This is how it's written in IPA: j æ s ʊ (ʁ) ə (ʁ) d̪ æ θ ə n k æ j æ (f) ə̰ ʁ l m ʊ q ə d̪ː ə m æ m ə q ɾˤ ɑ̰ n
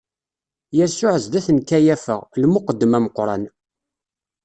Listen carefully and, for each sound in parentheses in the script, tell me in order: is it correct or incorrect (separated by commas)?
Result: incorrect, incorrect, correct